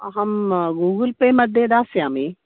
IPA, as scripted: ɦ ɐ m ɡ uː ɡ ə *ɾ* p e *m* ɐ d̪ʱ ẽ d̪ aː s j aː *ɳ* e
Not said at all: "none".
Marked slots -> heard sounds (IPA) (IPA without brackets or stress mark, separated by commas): l, m, m